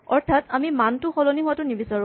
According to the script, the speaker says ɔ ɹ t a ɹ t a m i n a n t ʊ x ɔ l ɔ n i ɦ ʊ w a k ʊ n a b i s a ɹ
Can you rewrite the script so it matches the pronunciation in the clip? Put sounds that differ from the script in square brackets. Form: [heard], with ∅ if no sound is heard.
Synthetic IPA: ɔ ɹ [tʰ] a [∅] t a m i [m] a n t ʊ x ɔ l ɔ n i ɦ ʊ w a [t] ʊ n [i] b i s a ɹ